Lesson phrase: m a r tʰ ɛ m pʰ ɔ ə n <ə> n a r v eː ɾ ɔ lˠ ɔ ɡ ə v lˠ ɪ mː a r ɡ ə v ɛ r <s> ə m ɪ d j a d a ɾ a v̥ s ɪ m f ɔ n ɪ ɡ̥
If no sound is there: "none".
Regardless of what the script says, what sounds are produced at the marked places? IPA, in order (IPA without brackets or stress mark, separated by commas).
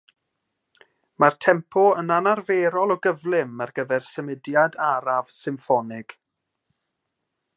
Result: a, s